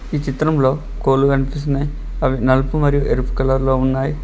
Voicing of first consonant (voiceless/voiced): voiceless